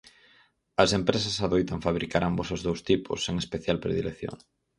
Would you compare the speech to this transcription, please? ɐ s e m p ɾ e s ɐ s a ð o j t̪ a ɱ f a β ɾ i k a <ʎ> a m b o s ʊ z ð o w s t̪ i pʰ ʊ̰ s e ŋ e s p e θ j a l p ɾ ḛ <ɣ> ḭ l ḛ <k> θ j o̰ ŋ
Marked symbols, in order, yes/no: no, no, yes

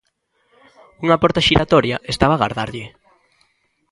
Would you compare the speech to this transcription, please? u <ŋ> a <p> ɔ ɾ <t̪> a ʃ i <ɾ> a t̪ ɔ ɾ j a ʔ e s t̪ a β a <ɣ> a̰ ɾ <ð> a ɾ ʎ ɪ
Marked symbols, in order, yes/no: yes, yes, yes, yes, yes, yes

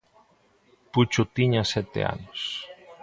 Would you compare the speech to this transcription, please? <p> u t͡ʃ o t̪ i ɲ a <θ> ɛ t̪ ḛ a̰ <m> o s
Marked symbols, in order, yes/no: yes, no, no

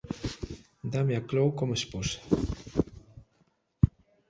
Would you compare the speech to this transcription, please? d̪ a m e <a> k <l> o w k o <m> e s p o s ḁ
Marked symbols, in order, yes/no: yes, yes, yes

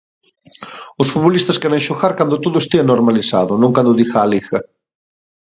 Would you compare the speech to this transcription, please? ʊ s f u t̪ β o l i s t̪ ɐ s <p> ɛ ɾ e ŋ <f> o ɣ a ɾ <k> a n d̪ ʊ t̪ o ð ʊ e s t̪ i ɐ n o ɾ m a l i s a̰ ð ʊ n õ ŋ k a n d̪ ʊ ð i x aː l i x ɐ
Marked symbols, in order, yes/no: no, no, yes

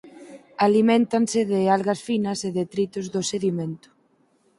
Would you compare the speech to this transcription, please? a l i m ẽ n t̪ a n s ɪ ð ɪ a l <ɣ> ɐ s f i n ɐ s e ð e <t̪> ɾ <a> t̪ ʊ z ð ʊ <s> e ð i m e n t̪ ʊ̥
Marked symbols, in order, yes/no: yes, yes, no, yes

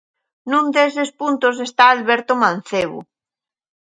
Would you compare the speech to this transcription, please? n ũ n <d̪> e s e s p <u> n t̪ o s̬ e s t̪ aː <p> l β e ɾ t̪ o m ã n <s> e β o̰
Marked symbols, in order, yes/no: yes, yes, no, no

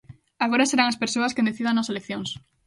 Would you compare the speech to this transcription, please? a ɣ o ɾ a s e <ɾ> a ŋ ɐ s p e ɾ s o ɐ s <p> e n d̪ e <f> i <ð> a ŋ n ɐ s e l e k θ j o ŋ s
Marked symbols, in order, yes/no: yes, no, no, yes

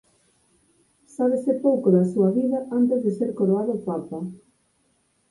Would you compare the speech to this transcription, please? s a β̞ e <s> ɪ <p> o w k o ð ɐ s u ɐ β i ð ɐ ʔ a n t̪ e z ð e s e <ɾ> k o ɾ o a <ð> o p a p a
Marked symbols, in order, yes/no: yes, yes, yes, yes

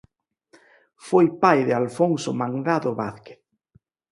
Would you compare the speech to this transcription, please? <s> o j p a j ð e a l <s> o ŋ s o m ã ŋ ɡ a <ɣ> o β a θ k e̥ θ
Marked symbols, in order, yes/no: no, no, no

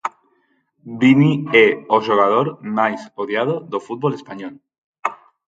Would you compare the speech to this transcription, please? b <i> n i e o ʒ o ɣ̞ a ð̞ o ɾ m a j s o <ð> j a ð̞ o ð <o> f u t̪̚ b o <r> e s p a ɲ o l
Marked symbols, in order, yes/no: yes, yes, yes, no

